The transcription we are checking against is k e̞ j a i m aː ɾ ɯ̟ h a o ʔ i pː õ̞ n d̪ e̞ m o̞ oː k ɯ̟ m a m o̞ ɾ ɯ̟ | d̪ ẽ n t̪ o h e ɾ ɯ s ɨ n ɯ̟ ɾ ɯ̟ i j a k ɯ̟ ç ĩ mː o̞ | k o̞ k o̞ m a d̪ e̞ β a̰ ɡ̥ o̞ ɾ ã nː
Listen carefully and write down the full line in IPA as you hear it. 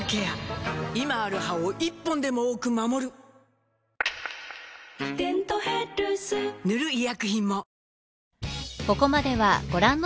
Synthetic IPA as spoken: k e̞ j a i m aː ɾ ɯ̟ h a o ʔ i pː õ̞ n d̪ e̞ m o̞ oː k ɯ̟ m a m o̞ ɾ ɯ̟ | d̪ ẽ n t̪ o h e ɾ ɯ s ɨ n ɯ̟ ɾ ɯ̟ i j a k ɯ̟ ç ĩ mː o̞ | k o̞ k o̞ m a d̪ e̞ β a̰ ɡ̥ o̞ ɾ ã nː